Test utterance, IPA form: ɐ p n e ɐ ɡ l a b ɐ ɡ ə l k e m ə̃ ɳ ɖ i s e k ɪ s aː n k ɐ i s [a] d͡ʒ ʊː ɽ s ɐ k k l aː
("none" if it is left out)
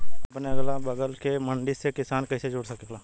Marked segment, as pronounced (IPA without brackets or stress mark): e